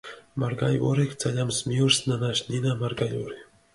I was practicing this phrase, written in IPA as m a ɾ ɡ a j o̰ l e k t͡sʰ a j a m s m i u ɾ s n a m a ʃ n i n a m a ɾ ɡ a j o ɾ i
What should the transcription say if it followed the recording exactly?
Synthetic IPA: m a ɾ ɡ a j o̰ ɾ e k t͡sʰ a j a m s m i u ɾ s n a n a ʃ n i n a m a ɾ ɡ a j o ɾ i